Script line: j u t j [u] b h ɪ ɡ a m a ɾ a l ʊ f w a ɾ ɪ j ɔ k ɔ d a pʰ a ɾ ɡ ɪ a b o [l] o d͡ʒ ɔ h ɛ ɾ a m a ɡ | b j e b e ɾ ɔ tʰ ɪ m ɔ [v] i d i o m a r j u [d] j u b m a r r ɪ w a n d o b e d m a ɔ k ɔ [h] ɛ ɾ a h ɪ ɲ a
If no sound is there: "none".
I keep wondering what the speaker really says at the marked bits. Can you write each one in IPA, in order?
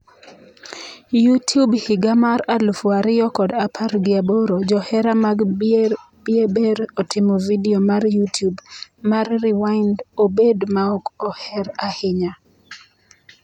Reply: u, ɾ, v, t, h

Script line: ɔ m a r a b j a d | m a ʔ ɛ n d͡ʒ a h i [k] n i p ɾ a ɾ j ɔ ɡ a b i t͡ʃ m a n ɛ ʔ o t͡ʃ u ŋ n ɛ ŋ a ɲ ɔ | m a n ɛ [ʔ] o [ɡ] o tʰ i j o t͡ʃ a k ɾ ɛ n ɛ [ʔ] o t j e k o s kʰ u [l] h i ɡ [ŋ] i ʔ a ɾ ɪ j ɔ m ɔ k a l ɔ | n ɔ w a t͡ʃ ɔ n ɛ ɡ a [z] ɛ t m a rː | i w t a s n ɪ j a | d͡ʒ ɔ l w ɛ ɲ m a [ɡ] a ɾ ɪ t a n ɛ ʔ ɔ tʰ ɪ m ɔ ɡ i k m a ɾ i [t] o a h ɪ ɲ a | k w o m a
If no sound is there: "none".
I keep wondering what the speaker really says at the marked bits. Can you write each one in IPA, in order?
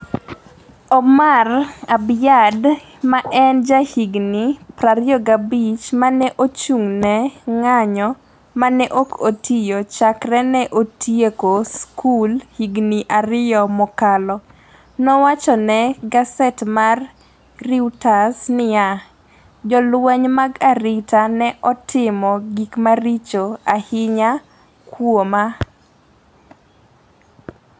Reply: ɡ, ʔ, k, ʔ, l, n, s, ɡ, t͡ʃ

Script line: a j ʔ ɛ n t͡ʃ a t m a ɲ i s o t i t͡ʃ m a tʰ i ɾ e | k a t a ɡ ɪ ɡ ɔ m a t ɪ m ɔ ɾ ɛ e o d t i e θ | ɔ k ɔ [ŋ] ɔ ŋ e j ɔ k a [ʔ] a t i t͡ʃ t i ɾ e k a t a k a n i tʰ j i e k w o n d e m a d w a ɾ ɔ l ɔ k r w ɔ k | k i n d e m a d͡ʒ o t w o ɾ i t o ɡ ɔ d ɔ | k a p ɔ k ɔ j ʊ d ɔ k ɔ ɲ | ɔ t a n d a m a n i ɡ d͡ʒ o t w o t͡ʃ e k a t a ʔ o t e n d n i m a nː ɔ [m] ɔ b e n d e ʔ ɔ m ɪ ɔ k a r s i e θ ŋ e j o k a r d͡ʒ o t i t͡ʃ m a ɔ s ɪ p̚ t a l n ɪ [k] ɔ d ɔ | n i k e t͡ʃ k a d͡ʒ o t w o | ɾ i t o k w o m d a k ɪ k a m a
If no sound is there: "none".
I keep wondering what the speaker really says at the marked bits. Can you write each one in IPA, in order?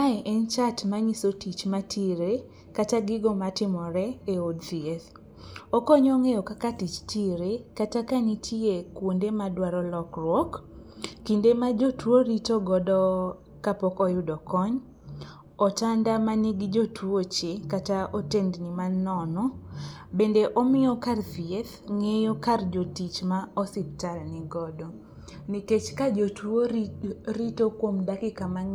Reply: ɲ, k, n, ɡ

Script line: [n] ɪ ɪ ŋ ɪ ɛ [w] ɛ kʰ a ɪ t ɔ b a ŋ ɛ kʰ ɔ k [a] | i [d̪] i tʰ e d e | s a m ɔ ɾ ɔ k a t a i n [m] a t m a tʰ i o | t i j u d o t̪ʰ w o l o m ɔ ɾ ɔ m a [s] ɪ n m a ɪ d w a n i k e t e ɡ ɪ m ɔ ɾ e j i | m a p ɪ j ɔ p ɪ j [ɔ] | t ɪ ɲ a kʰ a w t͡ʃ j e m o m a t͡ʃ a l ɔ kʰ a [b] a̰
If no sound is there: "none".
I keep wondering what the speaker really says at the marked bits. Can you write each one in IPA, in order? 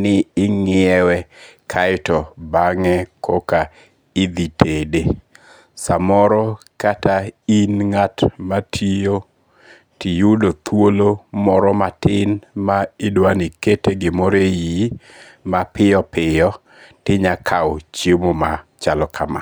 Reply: n, w, a, d̪, ŋ, t, ɔ, m

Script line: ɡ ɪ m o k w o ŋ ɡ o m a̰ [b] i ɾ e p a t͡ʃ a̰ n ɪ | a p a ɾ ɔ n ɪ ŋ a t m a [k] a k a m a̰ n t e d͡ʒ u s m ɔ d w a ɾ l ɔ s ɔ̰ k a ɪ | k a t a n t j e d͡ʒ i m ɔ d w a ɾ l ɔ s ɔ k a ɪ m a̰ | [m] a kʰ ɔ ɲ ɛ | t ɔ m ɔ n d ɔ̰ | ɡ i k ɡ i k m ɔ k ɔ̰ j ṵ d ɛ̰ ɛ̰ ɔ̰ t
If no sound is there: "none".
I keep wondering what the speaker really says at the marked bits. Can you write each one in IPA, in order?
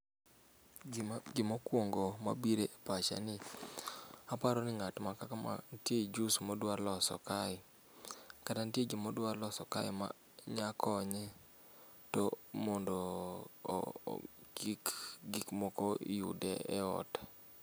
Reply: b, k, ɲ

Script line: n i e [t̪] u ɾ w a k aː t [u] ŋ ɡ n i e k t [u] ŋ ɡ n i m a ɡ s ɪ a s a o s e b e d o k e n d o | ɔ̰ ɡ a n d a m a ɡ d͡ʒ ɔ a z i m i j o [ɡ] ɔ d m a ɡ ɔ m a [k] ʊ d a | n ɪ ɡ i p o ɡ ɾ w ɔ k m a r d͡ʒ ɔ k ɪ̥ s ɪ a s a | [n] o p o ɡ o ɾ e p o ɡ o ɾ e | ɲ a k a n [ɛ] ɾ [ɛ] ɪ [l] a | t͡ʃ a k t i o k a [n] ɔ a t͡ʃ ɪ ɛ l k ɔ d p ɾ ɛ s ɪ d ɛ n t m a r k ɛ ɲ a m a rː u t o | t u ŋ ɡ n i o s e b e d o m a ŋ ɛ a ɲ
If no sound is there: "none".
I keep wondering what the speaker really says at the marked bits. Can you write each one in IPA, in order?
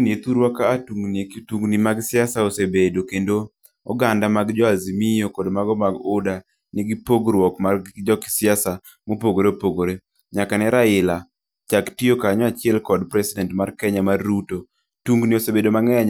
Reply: t̪, u, u, k, ɡ, m, ɛ, a, l, ɲ

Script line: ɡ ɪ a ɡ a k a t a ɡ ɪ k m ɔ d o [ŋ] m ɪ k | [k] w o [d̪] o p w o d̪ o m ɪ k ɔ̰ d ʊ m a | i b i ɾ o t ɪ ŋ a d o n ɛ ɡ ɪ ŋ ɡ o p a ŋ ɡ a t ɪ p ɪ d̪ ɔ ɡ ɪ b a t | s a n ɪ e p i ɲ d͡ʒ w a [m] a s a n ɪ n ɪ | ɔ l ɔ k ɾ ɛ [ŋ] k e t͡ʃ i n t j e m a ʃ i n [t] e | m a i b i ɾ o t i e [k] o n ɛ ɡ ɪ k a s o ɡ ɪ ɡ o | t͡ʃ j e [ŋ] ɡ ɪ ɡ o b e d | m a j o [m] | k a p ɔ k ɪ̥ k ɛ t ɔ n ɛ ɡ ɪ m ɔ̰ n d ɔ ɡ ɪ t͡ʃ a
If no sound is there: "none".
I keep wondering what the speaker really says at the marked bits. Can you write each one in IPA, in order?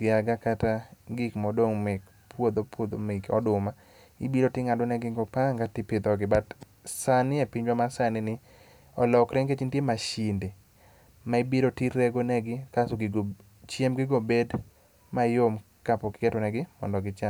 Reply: ŋ, p, d̪, m, ŋ, d, ɡ, m, m

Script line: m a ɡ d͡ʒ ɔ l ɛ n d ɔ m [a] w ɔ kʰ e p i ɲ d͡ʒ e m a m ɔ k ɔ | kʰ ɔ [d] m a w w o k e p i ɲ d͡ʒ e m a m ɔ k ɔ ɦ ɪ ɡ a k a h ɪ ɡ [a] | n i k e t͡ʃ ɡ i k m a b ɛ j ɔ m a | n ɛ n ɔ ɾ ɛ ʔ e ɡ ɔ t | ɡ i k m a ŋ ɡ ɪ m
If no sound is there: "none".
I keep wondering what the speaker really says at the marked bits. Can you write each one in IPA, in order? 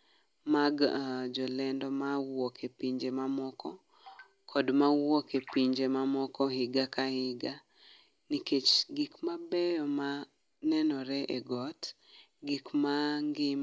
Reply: a, d, a

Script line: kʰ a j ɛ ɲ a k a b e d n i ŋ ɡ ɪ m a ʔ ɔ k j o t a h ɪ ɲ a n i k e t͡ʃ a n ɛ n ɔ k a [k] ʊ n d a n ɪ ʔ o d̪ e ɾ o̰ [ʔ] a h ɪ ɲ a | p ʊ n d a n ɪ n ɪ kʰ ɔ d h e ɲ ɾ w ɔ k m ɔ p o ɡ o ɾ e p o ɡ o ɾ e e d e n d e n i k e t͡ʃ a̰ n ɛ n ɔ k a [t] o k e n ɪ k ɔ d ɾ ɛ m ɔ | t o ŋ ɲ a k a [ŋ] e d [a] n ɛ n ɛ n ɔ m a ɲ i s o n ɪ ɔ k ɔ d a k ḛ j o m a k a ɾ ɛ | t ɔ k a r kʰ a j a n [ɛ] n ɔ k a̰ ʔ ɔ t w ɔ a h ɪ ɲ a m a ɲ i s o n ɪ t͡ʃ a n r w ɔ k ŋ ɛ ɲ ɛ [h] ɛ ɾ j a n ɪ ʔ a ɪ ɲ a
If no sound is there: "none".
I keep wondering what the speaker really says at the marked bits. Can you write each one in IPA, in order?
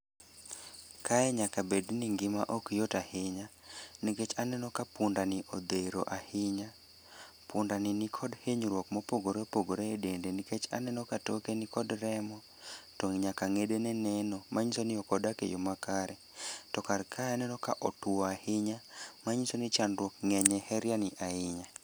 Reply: p, ʔ, t, ŋ, e, ɛ, h

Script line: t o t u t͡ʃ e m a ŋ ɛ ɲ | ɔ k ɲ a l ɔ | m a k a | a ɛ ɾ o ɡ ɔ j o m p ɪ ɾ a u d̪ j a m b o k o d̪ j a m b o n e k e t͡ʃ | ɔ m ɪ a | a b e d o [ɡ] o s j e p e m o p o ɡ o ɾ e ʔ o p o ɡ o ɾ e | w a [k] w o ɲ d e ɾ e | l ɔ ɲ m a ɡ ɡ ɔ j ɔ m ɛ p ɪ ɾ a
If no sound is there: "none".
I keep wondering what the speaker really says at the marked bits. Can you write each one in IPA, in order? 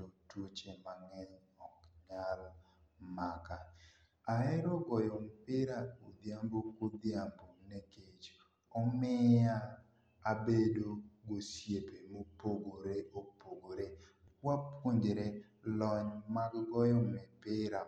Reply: ɡ, p

